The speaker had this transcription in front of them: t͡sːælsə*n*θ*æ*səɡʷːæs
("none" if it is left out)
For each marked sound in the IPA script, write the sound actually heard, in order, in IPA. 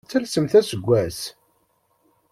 m, æ

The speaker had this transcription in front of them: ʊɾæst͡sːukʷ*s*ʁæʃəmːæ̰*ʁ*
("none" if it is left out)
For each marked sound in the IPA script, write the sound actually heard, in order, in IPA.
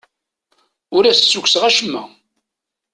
s, none

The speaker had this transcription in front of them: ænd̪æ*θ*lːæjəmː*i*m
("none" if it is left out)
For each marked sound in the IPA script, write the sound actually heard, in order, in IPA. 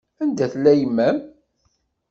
θ, æ

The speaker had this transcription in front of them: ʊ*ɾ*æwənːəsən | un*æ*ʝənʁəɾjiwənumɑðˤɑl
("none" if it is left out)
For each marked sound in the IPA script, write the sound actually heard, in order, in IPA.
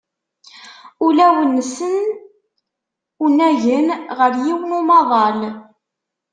l, æ

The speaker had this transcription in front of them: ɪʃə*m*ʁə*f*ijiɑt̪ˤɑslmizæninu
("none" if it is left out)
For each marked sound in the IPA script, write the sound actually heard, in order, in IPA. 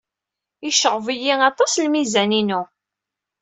none, v

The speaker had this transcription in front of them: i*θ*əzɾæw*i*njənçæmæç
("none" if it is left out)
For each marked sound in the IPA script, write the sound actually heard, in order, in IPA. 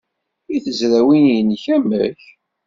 θ, i

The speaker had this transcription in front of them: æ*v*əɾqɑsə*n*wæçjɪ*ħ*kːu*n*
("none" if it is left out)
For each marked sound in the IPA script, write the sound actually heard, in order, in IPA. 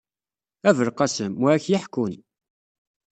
v, m, ħ, n

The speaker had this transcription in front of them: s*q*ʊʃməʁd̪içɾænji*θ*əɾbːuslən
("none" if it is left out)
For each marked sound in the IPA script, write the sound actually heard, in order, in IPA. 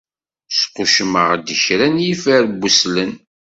q, f

